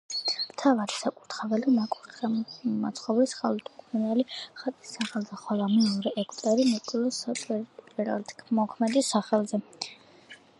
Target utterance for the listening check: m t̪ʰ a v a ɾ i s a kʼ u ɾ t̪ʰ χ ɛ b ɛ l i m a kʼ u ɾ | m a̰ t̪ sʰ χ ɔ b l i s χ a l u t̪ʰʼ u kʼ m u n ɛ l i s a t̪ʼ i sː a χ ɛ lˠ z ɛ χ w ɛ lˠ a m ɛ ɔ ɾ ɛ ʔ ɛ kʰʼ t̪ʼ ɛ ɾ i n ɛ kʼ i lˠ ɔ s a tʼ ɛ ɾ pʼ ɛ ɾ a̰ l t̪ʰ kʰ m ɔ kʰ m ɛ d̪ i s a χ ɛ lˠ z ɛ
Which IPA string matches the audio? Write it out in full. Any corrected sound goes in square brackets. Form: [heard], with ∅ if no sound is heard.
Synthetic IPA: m t̪ʰ a v a ɾ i s a kʼ u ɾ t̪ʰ χ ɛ [v] ɛ l i m a kʼ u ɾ | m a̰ t̪ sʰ χ ɔ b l i s χ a l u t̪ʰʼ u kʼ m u n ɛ l i [χ] a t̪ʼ i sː a χ ɛ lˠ z ɛ χ w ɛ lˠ a m ɛ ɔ ɾ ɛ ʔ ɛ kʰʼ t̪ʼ ɛ ɾ i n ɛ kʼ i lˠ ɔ s a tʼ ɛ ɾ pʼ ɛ ɾ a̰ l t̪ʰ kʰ m ɔ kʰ m ɛ d̪ i s a χ ɛ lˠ z ɛ